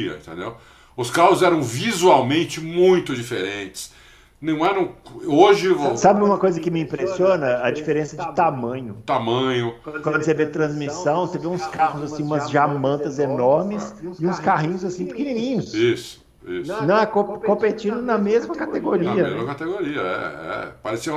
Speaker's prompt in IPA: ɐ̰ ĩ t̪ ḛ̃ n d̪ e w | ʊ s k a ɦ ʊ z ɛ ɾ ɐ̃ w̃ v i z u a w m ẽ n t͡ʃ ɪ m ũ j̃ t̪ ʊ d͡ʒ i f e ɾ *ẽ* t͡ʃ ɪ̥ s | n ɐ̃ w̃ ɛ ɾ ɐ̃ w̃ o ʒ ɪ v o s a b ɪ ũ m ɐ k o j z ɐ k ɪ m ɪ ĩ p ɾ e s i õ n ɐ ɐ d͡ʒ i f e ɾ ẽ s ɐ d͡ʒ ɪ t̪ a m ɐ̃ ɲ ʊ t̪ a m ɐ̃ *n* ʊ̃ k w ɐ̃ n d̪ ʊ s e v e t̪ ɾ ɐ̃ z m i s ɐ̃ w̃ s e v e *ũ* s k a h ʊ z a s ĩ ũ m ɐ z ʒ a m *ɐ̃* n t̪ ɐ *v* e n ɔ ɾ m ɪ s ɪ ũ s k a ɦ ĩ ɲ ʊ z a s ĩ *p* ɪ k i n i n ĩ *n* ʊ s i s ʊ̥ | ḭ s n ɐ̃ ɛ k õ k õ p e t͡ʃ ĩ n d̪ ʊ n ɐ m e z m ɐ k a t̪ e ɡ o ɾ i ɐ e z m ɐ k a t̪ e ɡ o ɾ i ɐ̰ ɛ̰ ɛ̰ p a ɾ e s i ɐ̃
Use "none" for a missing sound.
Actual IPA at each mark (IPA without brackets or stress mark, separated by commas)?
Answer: ẽ, ɲ, ũ, ɐ̃, z, p, ɲ